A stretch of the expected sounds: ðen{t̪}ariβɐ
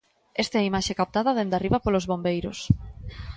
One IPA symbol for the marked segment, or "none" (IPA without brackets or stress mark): d̪